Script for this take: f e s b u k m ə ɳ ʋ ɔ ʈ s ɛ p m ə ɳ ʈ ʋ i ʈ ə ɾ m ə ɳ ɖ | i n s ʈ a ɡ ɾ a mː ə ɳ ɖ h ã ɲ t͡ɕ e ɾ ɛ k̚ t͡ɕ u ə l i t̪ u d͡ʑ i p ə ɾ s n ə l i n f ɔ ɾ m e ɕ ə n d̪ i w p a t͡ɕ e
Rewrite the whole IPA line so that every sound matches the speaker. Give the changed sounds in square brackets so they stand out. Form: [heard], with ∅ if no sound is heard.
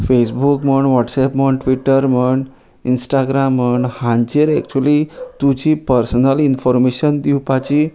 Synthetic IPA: f e s b u k m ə ɳ ʋ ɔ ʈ s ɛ p m ə ɳ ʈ ʋ i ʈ ə ɾ m ə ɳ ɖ | i n s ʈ a ɡ ɾ a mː ə ɳ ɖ h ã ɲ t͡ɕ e ɾ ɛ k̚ t͡ɕ u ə l i t̪ u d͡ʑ i p ə ɾ s n ə l i n f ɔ ɾ m e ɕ ə n d̪ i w p a t͡ɕ [i]